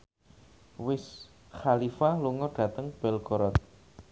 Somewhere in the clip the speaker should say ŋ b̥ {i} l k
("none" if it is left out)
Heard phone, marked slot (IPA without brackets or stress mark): ɛ